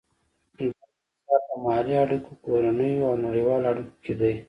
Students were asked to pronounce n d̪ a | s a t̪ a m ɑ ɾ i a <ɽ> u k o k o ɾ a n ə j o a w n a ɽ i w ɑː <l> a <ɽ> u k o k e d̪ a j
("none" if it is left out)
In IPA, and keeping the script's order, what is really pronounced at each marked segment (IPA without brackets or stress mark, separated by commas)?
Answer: ɽ, l, ɽ